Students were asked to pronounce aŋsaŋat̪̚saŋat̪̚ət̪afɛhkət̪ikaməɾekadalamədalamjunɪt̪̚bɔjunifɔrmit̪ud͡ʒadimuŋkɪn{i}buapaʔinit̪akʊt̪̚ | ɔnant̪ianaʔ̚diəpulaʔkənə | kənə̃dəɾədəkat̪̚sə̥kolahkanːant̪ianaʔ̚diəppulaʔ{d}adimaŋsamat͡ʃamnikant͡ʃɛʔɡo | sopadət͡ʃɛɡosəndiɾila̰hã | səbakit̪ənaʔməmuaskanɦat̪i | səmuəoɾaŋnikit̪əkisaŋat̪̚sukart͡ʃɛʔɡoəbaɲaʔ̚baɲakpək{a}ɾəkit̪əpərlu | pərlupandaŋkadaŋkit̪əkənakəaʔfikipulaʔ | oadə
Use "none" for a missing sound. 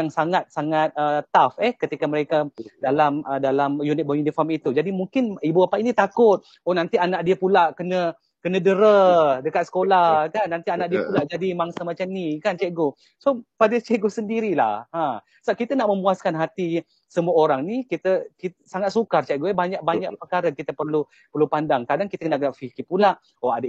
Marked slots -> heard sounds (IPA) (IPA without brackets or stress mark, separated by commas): i, d͡ʒ, a